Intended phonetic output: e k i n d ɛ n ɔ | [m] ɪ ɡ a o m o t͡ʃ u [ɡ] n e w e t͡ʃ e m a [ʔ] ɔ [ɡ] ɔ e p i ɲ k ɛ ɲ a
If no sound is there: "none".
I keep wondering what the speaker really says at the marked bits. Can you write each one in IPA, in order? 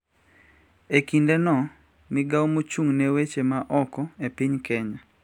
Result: m, ŋ, ʔ, k

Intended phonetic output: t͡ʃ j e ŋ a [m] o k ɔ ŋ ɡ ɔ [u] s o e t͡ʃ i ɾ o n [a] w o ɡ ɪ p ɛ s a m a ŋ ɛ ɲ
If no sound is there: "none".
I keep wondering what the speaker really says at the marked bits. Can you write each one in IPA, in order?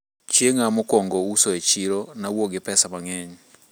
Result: m, u, a

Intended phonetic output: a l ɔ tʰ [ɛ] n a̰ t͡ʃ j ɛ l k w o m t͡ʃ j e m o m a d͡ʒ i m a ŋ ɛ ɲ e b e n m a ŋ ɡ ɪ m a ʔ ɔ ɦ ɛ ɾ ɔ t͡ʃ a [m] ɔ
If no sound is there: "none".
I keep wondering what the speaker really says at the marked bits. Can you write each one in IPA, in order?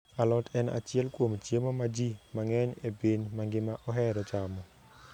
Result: ɛ, m

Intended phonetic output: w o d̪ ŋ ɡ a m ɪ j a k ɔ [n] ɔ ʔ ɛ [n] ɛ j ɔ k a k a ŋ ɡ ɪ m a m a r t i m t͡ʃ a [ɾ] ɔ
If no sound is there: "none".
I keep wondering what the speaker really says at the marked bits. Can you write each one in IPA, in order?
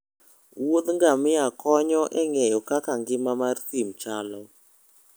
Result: ɲ, ŋ, l

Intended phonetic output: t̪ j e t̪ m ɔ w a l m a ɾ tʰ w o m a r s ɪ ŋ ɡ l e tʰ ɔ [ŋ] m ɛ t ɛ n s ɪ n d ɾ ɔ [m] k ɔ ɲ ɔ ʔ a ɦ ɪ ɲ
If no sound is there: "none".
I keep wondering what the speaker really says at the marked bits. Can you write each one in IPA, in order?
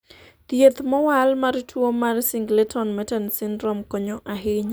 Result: n, m

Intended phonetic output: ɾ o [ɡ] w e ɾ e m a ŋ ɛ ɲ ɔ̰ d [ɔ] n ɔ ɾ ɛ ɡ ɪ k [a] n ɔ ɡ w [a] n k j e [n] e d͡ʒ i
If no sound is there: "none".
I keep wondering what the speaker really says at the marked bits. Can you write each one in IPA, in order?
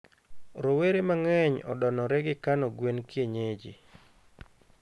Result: none, ɔ, a, e, ɲ

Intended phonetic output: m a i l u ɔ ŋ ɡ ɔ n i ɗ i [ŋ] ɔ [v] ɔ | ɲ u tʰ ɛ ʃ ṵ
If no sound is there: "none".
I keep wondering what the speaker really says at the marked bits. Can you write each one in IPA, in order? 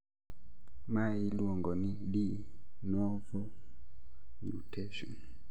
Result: n, v

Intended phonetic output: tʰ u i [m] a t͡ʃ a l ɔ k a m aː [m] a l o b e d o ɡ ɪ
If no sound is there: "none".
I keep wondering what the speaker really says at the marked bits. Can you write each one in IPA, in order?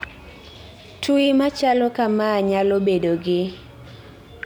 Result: m, ɲ

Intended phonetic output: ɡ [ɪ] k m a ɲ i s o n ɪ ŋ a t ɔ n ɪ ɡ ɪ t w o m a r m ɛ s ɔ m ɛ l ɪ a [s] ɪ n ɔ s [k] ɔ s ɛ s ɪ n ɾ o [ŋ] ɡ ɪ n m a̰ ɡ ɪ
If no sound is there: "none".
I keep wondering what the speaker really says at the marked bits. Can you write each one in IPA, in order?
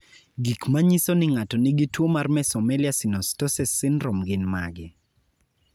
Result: i, s, t, m

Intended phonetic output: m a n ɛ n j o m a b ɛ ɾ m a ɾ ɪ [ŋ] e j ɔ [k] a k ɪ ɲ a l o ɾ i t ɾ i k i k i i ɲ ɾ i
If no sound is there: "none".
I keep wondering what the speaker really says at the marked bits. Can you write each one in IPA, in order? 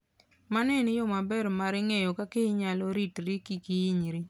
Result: ŋ, k

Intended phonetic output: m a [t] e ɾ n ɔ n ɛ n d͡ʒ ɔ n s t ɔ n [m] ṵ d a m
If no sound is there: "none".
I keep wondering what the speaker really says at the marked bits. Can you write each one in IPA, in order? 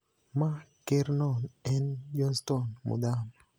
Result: k, m

